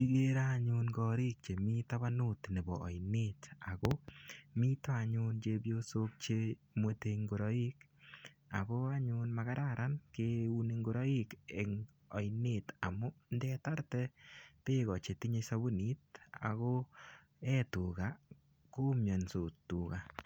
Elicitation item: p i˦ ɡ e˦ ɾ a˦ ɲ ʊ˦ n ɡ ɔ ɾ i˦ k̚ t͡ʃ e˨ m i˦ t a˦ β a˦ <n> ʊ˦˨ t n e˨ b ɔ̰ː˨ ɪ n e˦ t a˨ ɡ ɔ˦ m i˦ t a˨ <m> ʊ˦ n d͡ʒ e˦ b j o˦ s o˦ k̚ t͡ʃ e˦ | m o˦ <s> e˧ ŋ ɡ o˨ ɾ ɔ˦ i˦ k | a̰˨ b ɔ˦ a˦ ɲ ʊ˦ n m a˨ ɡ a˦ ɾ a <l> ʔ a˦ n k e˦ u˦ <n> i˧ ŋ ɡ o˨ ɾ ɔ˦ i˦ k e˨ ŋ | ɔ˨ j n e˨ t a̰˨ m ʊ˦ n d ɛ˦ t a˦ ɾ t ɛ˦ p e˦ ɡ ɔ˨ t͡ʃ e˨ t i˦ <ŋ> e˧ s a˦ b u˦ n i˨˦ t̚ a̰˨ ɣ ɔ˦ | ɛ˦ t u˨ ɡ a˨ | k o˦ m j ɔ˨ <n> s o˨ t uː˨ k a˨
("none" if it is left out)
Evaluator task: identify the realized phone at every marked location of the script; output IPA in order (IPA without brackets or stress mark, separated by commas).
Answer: n, ɲ, t, ɾ, n, ɲ, n